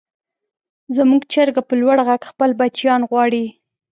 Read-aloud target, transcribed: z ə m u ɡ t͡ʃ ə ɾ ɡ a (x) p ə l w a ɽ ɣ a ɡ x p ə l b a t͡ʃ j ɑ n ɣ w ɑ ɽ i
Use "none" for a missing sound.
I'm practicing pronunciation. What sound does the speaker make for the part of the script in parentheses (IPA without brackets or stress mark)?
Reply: none